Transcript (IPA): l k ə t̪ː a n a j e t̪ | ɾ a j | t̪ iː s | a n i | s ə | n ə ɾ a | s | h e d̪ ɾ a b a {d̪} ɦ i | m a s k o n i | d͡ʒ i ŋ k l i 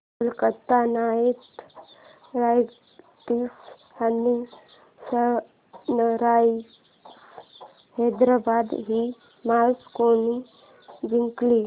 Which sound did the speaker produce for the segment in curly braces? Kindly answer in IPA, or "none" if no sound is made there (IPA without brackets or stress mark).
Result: d̪